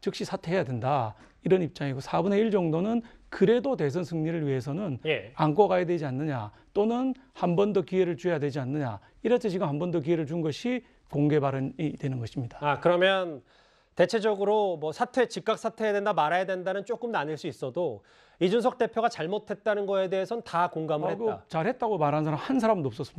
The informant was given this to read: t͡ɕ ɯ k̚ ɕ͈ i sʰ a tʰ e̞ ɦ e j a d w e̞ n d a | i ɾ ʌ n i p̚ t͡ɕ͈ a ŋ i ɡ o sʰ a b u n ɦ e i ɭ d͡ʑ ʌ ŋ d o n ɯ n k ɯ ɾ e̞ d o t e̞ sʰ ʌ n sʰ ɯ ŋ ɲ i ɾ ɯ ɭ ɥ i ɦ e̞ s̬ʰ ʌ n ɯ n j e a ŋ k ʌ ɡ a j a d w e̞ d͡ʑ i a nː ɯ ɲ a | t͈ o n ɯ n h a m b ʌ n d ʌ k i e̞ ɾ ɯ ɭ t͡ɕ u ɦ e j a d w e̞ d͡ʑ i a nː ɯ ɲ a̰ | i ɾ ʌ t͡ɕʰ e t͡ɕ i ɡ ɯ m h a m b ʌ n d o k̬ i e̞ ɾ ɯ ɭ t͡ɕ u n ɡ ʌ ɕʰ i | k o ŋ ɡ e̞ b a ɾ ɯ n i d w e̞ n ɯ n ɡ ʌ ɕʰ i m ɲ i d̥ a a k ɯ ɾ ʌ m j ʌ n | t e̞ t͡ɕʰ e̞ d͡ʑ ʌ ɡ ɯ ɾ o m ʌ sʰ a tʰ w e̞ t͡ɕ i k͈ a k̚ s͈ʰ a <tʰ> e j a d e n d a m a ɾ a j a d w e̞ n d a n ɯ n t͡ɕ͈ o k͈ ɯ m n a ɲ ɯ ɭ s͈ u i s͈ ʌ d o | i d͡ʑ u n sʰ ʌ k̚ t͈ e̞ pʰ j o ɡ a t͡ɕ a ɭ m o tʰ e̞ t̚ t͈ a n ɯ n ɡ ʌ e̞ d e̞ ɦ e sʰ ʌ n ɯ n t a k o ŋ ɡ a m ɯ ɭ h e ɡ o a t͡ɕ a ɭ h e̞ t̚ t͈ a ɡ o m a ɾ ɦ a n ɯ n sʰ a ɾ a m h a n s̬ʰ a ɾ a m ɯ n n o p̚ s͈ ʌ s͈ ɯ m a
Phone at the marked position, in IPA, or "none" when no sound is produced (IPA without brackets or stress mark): tʰ